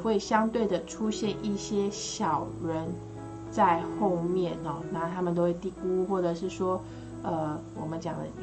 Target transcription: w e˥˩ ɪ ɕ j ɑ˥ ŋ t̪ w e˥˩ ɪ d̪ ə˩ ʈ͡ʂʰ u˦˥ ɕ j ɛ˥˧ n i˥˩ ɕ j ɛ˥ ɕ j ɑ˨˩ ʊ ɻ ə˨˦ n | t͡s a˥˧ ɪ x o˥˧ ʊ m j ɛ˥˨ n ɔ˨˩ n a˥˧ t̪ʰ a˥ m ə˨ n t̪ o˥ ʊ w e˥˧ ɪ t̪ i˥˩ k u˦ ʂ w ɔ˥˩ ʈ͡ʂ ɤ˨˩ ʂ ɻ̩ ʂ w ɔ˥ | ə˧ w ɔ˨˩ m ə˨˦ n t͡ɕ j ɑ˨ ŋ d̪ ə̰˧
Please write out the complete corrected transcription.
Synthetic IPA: w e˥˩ ɪ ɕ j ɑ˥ ŋ t̪ w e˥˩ ɪ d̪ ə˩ ʈ͡ʂʰ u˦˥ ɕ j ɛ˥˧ n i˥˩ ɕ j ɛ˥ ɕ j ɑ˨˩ ʊ ɻ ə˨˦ n | t͡s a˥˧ ɪ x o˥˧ ʊ m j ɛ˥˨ n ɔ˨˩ n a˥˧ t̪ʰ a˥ m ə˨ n t̪ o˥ ʊ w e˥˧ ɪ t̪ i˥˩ k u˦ x w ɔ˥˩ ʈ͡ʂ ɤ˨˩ ʂ ɻ̩ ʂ w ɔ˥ | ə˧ w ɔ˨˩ m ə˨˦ n t͡ɕ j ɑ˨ ŋ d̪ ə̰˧